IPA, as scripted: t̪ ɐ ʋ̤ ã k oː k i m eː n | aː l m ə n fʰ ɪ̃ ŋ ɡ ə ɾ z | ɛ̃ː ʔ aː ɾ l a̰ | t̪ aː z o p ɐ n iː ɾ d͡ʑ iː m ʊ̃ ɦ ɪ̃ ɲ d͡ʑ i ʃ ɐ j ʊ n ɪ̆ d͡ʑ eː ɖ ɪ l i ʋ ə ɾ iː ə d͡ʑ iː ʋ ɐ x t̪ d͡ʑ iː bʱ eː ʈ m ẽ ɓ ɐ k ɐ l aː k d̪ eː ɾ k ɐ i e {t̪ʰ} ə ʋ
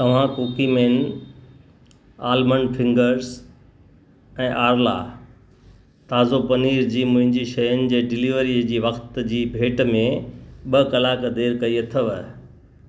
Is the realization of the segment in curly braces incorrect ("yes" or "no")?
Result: no